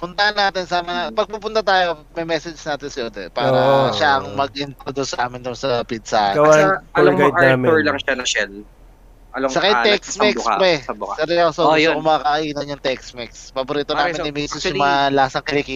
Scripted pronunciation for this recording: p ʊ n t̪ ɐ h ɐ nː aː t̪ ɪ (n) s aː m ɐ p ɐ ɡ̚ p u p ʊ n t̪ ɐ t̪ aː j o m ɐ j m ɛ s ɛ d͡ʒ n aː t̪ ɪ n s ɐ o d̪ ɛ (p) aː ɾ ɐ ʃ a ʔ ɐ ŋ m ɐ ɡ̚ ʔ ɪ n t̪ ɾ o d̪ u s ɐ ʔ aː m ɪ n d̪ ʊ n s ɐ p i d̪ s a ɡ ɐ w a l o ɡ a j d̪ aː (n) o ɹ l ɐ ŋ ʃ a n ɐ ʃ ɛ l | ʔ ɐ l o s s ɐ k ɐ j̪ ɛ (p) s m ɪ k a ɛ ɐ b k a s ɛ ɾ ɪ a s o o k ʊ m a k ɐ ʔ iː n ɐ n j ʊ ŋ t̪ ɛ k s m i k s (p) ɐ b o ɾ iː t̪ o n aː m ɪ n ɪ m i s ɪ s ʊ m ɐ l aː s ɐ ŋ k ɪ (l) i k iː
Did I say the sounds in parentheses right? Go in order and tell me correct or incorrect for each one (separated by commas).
correct, correct, incorrect, incorrect, correct, correct